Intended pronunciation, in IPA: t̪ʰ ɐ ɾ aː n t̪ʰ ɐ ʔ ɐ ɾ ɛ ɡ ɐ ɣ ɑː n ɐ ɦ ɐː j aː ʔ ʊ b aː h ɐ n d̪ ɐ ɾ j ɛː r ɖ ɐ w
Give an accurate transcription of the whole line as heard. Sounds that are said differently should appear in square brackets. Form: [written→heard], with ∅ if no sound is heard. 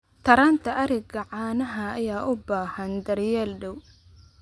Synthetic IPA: t̪ʰ ɐ ɾ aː n t̪ʰ ɐ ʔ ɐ ɾ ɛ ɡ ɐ [ɣ→ʕ] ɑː n ɐ ɦ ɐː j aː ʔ ʊ b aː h ɐ n d̪ ɐ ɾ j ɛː [r→l] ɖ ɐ w